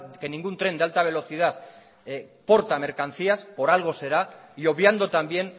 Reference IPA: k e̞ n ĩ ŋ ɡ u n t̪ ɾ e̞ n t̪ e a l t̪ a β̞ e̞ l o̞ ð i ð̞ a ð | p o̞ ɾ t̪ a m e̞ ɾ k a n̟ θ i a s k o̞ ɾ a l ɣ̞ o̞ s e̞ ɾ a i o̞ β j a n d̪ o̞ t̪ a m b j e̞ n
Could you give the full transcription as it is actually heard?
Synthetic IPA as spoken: k e̞ n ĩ ŋ ɡ u n t̪ ɾ e̞ n d̪ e a l t̪ a β̞ e̞ l o̞ θ i ð̞ a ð | p o̞ ɾ t̪ a m e̞ ɾ k a n̟ θ i a s p o̞ ɾ a l ɣ̞ o̞ s e̞ ɾ a i o̞ β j a n d̪ o̞ t̪ a m b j e̞ n